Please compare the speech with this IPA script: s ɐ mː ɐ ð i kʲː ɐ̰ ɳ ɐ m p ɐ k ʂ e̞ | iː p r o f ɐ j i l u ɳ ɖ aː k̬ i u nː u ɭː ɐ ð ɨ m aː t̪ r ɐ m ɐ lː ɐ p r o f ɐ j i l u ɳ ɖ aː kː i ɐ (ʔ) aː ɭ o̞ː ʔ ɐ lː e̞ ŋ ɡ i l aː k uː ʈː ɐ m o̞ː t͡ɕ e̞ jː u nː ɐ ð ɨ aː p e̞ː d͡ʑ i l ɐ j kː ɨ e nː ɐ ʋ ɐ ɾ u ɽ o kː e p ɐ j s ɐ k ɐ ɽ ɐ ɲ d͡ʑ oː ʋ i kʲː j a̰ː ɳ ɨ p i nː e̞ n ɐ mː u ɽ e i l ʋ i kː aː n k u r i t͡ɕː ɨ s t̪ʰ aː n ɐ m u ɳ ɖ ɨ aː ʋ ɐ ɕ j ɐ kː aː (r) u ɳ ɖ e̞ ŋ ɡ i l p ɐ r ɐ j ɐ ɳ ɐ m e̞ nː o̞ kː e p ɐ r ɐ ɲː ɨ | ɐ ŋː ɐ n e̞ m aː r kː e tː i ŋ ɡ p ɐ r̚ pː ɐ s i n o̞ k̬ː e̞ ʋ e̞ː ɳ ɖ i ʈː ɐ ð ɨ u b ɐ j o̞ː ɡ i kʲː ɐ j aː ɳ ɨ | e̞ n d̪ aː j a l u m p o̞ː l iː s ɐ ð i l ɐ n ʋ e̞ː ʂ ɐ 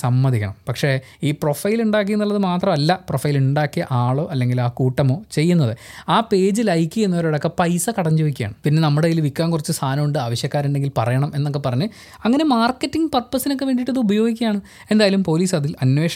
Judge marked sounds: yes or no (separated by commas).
yes, no